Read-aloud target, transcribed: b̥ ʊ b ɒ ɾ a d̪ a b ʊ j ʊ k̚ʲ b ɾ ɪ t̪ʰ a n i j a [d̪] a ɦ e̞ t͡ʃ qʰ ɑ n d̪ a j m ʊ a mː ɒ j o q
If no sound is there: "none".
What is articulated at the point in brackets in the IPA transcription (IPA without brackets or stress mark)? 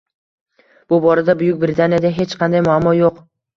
d̪